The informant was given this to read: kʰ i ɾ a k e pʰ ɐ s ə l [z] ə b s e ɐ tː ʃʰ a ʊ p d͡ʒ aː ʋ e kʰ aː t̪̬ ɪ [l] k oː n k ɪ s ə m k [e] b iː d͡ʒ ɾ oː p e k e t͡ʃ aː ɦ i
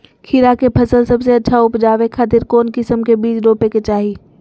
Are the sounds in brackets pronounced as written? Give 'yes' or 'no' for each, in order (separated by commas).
no, no, yes